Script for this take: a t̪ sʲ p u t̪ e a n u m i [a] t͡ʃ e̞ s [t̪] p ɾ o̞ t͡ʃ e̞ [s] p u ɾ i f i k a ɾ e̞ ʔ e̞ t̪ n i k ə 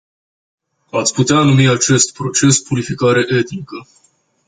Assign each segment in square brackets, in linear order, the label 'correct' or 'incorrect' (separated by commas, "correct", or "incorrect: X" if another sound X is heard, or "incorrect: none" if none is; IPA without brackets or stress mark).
correct, correct, correct